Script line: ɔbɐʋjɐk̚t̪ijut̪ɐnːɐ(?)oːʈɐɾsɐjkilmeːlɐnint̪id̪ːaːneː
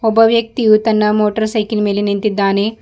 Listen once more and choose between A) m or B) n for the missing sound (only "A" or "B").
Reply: A